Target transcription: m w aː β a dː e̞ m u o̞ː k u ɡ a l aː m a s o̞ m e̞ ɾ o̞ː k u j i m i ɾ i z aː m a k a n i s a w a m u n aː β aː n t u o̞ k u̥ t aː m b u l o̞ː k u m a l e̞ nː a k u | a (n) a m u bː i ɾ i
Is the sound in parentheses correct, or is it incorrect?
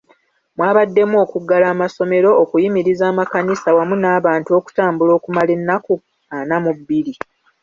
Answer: correct